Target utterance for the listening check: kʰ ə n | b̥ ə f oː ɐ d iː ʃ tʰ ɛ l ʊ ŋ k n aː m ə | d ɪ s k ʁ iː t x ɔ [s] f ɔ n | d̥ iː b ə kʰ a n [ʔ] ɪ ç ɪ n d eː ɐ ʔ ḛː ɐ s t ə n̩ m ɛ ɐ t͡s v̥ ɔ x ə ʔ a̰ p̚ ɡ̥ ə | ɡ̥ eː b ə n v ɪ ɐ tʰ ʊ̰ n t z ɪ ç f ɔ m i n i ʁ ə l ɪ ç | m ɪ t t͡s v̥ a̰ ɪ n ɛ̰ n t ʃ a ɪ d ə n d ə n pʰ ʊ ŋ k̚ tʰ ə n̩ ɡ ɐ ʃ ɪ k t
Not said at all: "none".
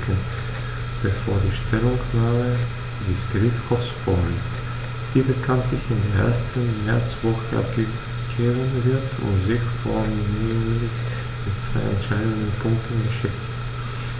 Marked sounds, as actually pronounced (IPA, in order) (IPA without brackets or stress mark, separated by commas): s, t